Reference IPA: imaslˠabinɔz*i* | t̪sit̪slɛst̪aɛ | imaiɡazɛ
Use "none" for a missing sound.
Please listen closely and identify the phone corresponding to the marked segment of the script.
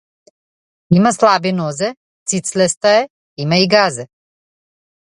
ɛ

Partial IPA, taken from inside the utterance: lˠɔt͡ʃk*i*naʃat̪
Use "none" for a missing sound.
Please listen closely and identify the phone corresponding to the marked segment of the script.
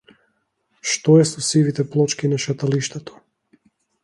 i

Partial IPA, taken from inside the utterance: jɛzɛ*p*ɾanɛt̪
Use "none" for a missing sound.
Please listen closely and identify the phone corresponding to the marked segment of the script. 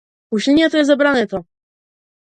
b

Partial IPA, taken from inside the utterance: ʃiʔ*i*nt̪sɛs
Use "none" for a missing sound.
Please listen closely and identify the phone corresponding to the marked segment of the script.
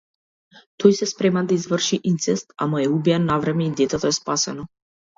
i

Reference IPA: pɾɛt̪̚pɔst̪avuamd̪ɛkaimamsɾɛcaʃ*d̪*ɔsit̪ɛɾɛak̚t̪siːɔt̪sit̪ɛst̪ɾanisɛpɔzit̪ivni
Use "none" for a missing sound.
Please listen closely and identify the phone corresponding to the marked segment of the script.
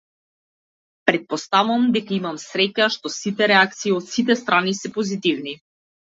t̪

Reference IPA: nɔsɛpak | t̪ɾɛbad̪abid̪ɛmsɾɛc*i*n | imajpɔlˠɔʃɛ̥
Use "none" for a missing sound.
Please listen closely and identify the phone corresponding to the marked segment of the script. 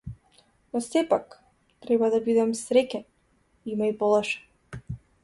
ɛ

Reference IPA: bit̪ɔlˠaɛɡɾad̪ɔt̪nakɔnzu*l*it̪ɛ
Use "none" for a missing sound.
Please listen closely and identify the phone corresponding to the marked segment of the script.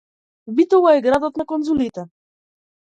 l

